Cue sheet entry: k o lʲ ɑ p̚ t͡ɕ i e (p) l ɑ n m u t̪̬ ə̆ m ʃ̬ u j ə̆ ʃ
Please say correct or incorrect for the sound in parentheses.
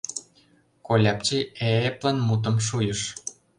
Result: correct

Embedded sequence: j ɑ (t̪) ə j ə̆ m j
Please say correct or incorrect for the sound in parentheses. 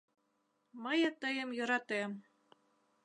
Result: correct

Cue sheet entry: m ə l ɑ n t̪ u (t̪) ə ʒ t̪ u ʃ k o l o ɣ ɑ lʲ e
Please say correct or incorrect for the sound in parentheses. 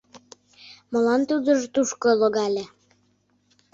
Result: incorrect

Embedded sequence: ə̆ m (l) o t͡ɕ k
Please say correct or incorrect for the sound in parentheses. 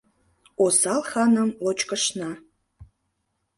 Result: correct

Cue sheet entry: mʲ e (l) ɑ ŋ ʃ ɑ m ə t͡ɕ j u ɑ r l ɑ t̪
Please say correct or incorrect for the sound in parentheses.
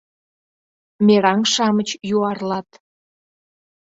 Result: incorrect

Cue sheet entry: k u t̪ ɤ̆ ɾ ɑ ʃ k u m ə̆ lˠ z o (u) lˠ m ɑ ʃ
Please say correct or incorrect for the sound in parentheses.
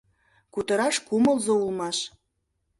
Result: correct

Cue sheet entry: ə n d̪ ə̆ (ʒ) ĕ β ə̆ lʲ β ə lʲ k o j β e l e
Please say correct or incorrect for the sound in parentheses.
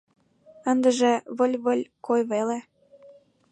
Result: correct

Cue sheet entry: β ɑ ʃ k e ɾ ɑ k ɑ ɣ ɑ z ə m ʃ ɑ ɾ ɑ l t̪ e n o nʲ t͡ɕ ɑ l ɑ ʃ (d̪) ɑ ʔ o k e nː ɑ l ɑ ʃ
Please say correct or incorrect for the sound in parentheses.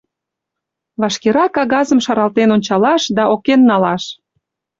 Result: correct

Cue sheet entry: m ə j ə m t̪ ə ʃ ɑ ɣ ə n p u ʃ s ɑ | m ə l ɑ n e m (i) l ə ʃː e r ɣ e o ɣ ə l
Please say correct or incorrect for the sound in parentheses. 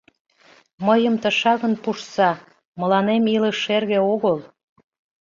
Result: correct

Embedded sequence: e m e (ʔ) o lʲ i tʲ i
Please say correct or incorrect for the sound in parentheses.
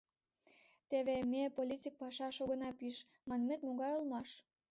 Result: incorrect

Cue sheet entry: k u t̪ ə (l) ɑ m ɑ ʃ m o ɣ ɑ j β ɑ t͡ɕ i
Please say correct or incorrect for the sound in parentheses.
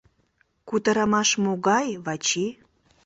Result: incorrect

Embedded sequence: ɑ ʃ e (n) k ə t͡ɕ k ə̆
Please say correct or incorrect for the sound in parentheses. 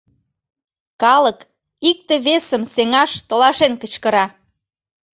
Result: correct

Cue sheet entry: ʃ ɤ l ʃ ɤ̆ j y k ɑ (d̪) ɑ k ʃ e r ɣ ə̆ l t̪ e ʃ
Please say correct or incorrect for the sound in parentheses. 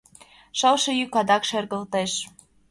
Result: correct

